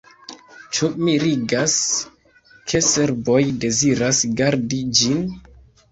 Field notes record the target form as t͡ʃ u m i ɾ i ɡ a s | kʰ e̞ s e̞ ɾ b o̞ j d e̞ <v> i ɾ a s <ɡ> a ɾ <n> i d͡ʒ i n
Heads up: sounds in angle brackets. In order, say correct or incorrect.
incorrect: z, correct, incorrect: d

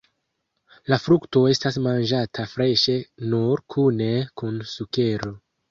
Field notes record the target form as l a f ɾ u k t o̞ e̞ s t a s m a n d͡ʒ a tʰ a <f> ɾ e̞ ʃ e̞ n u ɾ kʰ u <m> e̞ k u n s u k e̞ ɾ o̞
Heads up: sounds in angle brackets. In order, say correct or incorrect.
correct, incorrect: n

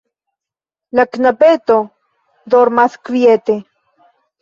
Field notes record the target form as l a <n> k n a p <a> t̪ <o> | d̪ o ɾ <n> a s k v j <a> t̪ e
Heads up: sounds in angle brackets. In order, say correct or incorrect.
incorrect: none, incorrect: e, correct, incorrect: m, incorrect: e

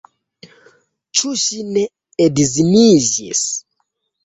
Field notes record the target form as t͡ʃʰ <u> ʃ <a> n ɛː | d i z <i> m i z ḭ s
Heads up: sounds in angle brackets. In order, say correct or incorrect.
correct, incorrect: i, correct

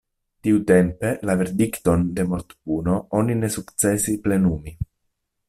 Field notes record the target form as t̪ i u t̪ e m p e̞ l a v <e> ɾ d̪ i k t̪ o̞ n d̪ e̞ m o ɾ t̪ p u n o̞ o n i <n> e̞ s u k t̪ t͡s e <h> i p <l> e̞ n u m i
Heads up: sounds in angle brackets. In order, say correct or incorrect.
correct, correct, incorrect: s, correct

